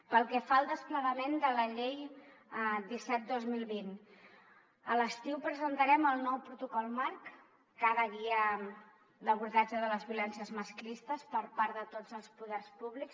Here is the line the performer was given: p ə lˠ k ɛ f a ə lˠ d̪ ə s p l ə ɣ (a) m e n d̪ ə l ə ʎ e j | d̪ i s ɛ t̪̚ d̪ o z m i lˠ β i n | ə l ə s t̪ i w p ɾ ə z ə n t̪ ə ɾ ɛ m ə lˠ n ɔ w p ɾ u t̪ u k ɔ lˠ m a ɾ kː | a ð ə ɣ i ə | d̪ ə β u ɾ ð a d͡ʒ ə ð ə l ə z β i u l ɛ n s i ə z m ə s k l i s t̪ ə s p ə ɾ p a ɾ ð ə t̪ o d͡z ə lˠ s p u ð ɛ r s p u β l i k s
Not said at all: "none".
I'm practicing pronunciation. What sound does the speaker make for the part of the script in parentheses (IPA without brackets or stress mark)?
ə